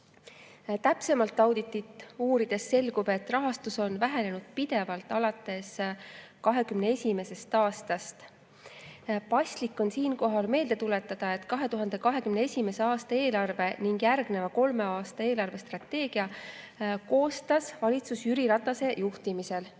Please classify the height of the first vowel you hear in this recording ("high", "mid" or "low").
low